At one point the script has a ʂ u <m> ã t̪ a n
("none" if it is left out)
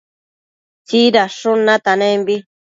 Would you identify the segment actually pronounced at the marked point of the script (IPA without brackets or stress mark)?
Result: n